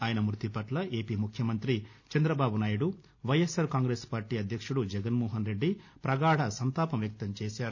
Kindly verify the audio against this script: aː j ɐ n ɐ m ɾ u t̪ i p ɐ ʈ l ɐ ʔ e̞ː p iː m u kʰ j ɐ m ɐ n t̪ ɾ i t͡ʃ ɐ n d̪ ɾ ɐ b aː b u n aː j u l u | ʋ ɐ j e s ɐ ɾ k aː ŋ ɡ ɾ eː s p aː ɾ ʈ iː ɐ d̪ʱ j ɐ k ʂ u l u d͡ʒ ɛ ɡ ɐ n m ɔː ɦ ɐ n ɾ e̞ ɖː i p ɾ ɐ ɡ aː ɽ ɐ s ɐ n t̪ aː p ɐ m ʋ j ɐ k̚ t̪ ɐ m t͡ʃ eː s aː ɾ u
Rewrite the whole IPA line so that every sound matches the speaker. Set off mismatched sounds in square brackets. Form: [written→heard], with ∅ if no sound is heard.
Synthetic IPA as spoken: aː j ɐ n ɐ m ɾ u t̪ i p ɐ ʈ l ɐ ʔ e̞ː p iː m u kʰ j ɐ m ɐ n t̪ ɾ i t͡ʃ ɐ n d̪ ɾ ɐ b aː b u n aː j u [l→ɽ] u | ʋ ɐ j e s ɐ ɾ k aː ŋ ɡ ɾ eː s p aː ɾ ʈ iː ɐ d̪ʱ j ɐ k ʂ u [l→ɽ] u d͡ʒ ɛ ɡ ɐ n m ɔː ɦ ɐ n ɾ e̞ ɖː i p ɾ ɐ ɡ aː ɽ ɐ s ɐ n t̪ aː p ɐ m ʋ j ɐ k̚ t̪ ɐ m t͡ʃ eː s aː ɾ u